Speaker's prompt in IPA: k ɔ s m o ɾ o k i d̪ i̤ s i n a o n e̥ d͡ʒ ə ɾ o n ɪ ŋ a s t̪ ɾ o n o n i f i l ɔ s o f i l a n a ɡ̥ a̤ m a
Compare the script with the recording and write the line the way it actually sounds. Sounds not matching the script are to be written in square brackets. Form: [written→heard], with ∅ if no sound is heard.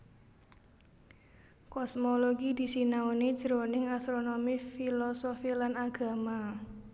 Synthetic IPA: k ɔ s m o [ɾ→l] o [k→ɡ] i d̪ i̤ s i n a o n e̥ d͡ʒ ə ɾ o n ɪ ŋ a s t̪ ɾ o n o [n→m] i f i l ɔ s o f i l a n a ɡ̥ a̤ m a